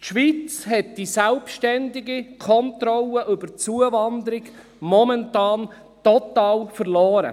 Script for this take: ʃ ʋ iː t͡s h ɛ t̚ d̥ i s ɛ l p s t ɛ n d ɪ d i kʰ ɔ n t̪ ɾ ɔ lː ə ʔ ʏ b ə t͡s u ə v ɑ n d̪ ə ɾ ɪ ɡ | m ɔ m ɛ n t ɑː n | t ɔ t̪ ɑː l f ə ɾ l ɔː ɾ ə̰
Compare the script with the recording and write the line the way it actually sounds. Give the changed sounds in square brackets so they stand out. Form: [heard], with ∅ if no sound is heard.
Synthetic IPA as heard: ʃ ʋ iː t͡s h ɛ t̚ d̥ i s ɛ l p [ʃ] t ɛ n d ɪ [ɡ] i kʰ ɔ n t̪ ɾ ɔ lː ə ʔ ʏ b ə t͡s u ə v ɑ n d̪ ə ɾ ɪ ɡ | m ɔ m ɛ n t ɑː n | t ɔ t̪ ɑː l f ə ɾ l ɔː ɾ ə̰